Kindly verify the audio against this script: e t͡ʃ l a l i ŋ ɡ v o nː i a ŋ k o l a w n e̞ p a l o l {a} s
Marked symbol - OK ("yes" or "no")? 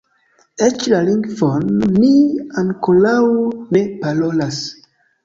yes